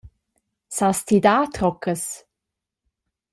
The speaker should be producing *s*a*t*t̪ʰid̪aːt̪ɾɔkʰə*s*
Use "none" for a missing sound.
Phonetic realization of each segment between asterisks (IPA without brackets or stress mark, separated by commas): s, s, s